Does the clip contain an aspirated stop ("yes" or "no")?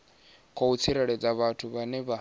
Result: yes